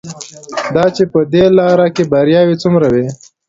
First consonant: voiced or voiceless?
voiced